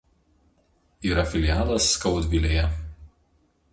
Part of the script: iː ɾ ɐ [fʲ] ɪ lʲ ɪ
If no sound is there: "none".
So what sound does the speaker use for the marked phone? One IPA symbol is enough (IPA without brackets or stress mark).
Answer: fʲ